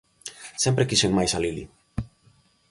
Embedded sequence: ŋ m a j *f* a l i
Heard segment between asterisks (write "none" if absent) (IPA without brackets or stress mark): s